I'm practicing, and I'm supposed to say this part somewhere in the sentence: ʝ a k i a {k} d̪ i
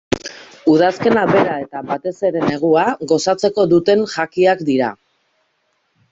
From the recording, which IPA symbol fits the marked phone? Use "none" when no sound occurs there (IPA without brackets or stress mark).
k